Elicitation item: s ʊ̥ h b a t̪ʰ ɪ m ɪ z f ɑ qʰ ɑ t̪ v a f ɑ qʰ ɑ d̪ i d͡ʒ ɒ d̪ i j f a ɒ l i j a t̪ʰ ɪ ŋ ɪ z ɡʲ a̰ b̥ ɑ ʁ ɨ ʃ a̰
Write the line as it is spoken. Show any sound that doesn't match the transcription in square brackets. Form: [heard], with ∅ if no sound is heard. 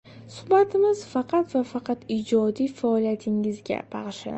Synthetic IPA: s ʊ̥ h b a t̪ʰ ɪ m ɪ z f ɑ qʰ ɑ t̪ v a f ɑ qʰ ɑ [t̪] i d͡ʒ ɒ d̪ i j f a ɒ l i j a t̪ʰ ɪ ŋ ɪ z ɡʲ a̰ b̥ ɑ ʁ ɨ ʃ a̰